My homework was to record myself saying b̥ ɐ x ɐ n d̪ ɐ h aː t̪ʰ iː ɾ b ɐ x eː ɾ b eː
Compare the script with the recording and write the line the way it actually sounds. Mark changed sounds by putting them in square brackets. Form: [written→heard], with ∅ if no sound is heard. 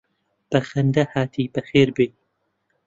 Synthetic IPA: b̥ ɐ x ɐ n d̪ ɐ h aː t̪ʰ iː [ɾ→∅] b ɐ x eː ɾ b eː